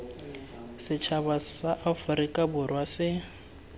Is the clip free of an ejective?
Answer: no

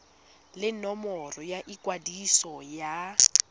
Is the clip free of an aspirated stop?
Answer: yes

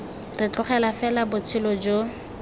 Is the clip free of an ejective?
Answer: yes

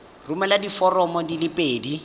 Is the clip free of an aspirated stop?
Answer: yes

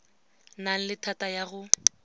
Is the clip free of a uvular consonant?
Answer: yes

